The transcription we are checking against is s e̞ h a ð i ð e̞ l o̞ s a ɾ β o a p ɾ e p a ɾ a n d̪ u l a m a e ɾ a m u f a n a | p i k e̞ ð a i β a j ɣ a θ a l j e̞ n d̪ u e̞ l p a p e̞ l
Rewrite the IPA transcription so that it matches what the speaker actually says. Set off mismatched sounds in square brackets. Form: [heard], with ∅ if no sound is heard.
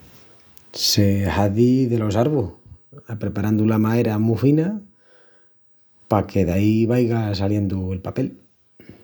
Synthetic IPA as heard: s e̞ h a ð i ð e̞ l o̞ s a ɾ β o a p ɾ e p a ɾ a n d̪ u l a m a e ɾ a m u f [i] n a | p [a] k e̞ ð a i β a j ɣ a [s] a l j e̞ n d̪ u e̞ l p a p e̞ l